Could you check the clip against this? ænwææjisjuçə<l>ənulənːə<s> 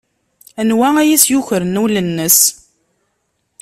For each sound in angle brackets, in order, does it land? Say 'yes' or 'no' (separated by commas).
no, yes